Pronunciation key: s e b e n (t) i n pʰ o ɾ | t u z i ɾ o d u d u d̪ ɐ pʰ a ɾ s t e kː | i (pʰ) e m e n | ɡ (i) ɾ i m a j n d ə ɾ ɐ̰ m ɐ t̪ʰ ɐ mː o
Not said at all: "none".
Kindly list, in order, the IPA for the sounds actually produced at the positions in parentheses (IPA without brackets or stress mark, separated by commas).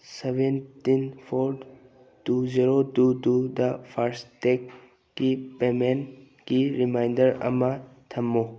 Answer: t, p, i